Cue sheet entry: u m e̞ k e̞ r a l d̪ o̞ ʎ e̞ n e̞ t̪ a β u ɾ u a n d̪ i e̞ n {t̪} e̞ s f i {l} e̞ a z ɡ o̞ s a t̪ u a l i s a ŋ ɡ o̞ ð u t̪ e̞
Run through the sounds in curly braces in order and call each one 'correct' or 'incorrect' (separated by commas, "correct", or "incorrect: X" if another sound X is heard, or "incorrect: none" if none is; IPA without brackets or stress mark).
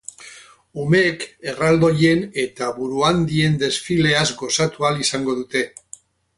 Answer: incorrect: d̪, correct